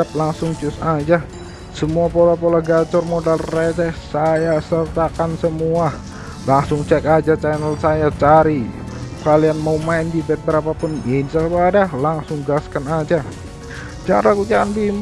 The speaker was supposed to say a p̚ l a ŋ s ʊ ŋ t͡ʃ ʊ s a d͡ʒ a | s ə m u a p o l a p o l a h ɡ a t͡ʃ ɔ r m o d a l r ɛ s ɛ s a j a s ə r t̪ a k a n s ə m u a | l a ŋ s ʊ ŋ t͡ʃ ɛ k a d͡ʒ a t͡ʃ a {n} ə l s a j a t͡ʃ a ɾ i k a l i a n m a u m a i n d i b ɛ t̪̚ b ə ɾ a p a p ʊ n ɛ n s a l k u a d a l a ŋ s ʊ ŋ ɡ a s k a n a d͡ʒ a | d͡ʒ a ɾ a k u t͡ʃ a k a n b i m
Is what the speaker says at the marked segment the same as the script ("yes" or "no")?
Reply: yes